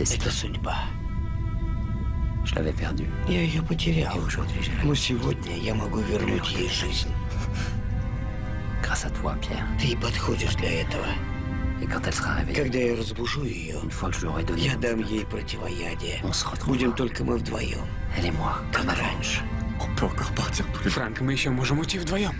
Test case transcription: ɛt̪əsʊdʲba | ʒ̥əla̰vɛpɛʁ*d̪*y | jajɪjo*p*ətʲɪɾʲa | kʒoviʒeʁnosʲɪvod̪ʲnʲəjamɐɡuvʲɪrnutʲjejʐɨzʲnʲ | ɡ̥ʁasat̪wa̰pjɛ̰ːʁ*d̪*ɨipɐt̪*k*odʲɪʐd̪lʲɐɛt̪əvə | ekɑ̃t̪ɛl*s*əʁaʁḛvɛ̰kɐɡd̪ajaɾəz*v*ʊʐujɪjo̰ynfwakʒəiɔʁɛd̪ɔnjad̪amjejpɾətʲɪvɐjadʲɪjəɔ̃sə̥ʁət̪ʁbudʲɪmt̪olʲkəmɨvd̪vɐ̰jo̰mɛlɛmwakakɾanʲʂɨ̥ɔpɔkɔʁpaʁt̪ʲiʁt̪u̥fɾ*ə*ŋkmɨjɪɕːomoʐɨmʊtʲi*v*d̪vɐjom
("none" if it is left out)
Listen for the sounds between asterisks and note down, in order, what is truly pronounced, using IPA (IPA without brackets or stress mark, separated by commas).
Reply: d̪, p, t̪, x, s, b, a, v